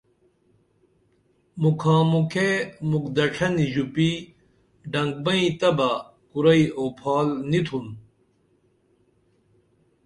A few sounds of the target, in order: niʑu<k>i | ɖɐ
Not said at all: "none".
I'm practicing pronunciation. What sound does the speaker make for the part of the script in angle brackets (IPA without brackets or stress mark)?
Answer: p